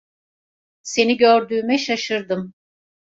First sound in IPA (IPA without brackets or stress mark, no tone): s